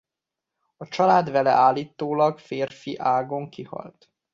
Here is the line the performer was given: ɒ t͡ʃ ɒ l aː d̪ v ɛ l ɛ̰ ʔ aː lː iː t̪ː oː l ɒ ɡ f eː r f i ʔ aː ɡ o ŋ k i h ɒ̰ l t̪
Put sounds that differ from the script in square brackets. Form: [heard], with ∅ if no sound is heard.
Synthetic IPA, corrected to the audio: ɒ t͡ʃ ɒ l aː d̪ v ɛ l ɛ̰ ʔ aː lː iː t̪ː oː l ɒ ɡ f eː r f i ʔ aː ɡ o ŋ k i h ɒ̰ l t̪